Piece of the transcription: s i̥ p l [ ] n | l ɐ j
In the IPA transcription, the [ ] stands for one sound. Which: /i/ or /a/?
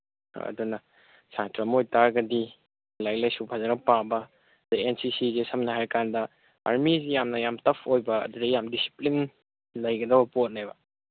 i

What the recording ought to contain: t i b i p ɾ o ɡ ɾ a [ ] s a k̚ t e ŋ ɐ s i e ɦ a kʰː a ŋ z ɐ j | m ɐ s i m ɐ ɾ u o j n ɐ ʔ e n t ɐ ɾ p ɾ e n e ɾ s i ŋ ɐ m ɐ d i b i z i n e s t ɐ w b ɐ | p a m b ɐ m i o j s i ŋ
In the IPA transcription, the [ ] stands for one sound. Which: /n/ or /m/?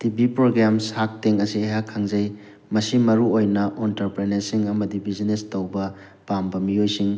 m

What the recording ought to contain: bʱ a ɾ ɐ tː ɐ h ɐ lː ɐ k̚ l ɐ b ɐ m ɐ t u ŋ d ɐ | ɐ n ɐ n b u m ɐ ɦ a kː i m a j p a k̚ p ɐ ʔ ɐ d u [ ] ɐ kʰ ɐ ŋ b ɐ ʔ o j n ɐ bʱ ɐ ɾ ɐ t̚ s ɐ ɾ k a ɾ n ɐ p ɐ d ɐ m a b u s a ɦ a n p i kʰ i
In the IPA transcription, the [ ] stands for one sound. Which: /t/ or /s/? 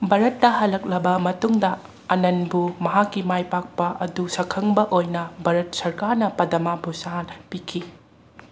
s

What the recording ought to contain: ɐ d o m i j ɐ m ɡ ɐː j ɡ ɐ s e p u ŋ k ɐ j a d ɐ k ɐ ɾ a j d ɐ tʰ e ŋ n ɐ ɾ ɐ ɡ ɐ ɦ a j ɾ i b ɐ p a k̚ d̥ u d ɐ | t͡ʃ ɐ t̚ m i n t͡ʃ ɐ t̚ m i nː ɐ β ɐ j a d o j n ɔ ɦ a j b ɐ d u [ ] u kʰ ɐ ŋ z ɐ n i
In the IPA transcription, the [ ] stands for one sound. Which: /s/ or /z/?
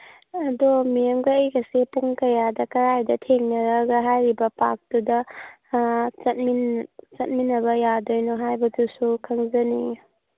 s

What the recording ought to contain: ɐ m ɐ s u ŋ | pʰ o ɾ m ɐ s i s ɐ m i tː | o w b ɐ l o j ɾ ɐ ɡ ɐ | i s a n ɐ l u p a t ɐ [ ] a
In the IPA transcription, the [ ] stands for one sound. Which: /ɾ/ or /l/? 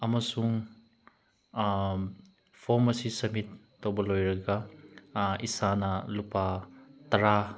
ɾ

